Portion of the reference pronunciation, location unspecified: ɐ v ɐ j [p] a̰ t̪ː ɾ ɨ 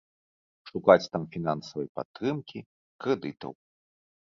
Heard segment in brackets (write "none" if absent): p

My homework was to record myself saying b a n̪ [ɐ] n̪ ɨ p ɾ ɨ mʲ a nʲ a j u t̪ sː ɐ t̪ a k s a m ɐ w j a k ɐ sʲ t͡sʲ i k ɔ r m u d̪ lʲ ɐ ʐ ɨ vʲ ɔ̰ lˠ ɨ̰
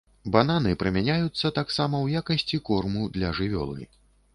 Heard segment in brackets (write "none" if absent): a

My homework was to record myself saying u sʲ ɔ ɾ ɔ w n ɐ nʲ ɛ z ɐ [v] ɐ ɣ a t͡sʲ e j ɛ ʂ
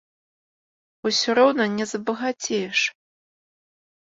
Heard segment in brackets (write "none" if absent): b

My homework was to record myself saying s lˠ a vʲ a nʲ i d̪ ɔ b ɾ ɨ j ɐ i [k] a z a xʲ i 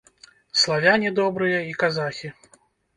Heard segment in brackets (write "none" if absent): k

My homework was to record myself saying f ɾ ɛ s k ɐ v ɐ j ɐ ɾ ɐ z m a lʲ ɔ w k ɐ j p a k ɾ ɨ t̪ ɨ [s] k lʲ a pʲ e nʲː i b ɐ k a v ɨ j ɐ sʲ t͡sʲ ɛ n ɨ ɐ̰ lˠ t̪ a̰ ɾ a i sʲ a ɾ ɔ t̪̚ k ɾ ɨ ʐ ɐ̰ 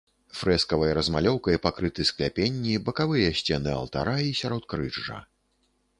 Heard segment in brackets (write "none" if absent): s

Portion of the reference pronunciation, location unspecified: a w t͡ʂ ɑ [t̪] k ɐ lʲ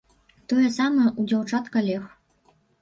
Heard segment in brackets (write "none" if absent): t̪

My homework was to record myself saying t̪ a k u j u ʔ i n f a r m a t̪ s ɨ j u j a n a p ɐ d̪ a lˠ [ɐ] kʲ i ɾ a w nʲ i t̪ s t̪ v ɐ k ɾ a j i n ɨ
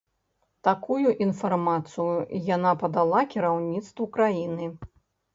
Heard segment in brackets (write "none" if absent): a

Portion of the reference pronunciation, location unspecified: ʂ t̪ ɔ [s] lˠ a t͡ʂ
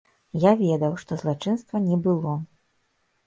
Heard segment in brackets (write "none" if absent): z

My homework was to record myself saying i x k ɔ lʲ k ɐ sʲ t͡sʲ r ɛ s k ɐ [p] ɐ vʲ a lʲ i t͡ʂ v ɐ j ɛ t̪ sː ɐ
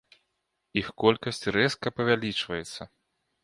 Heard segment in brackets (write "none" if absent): p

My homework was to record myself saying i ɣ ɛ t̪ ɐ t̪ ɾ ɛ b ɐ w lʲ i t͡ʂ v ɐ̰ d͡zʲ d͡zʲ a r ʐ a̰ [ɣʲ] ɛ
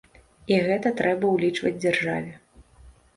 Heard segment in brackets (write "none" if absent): vʲ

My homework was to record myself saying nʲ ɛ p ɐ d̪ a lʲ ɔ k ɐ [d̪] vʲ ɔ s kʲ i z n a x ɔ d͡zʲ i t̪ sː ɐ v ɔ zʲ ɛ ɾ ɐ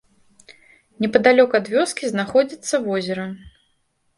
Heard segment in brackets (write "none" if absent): d̪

